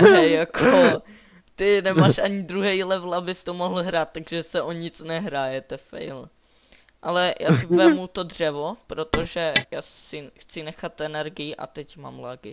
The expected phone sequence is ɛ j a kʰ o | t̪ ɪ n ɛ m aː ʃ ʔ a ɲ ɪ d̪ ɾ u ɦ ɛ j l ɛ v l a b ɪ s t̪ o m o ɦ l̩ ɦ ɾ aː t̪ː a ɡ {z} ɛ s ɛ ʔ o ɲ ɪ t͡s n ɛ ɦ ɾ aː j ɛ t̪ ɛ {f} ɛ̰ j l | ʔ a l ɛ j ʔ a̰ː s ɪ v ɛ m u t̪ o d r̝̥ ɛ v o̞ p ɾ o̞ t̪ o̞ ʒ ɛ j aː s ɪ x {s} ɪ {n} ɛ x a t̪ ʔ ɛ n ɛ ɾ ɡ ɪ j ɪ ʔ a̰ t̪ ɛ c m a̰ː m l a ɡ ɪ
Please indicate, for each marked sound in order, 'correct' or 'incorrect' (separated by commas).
incorrect, correct, incorrect, correct